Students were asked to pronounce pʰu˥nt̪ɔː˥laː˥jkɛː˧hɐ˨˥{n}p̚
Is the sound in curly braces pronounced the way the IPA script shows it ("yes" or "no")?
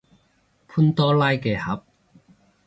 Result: no